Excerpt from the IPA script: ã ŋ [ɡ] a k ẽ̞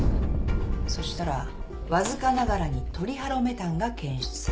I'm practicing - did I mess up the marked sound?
no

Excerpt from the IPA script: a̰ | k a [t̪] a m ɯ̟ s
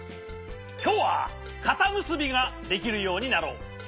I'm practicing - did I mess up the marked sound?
no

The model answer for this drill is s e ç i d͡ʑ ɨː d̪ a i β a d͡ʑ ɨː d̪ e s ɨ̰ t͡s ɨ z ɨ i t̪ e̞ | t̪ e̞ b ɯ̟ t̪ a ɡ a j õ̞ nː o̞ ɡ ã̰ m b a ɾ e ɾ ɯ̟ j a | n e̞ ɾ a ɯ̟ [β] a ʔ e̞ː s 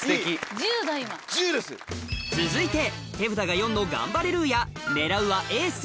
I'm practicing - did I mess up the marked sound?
no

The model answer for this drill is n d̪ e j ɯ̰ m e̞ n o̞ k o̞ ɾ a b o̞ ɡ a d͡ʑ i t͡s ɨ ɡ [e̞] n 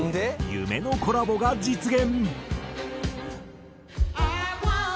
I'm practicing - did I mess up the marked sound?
yes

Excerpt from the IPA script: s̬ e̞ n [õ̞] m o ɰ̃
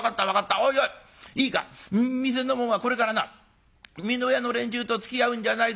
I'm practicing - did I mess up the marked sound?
yes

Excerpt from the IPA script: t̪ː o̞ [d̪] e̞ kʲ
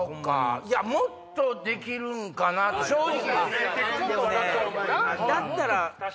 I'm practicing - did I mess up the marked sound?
no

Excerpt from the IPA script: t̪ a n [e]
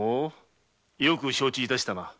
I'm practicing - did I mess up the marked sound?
yes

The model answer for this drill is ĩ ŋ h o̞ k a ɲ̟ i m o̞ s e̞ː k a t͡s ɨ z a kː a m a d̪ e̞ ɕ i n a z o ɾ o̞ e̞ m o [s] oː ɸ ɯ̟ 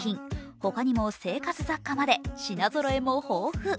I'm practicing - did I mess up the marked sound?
yes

